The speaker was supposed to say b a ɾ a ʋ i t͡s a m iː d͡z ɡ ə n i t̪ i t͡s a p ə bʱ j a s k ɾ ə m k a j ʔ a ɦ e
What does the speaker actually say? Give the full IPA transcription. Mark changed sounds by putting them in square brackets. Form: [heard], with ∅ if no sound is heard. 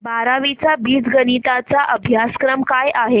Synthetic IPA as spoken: b a ɾ a ʋ i t͡s a [b] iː d͡z ɡ ə n i t̪ [a] t͡s a [ʔ] ə bʱ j a s k ɾ ə m k a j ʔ a ɦ e